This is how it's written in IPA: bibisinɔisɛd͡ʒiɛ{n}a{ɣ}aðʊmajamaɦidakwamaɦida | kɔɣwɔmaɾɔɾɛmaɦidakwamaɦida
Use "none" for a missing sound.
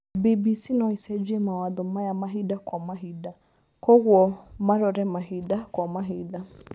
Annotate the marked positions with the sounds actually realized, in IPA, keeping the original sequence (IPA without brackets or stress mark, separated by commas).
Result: m, w